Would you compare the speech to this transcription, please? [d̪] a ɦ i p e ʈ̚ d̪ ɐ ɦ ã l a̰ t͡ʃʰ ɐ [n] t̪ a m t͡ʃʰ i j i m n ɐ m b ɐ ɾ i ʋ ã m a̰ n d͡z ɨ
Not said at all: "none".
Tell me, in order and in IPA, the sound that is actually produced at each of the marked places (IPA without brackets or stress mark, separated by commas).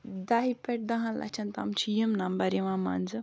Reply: d̪, n